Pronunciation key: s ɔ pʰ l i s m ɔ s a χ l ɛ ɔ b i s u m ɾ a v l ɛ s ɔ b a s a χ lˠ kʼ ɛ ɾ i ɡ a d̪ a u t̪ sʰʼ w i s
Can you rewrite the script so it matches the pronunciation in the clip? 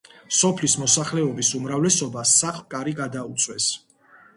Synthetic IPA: s ɔ pʰ l i s m ɔ s a χ l ɛ ɔ b i s u m ɾ a v l ɛ s ɔ b a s a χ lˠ kʼ a ɾ i ɡ a d̪ a u t̪ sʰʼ w ɛ s